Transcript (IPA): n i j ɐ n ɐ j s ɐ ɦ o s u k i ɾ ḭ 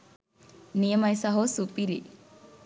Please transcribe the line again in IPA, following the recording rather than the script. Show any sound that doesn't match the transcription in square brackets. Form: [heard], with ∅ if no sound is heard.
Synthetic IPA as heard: n i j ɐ [m] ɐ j s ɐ ɦ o s u [p] i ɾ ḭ